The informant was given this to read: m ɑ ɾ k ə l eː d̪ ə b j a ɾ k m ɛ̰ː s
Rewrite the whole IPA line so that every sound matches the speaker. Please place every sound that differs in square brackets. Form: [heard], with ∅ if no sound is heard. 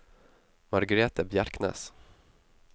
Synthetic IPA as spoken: m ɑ ɾ [ɡ] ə [ɾ] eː [t̪] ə b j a ɾ k [n] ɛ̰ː s